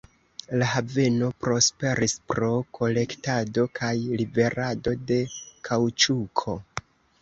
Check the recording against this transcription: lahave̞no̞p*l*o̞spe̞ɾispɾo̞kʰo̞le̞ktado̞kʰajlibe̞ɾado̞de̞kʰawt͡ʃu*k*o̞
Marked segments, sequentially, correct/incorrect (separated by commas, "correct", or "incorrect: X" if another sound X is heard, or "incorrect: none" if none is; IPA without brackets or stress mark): incorrect: ɾ, incorrect: kʰ